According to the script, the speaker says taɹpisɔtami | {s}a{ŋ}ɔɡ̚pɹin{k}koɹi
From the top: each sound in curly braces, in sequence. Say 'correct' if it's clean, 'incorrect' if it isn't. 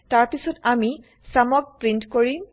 correct, incorrect: m, incorrect: t

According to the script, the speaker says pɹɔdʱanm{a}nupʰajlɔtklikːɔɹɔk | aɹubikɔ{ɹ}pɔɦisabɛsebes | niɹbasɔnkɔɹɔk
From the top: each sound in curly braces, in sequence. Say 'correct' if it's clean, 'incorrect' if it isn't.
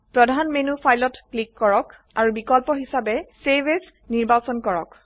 incorrect: e, incorrect: l

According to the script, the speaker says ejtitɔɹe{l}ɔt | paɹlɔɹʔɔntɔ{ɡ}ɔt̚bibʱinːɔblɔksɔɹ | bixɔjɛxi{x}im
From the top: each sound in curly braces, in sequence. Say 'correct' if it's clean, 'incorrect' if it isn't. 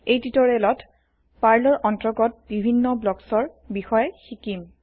correct, correct, incorrect: k

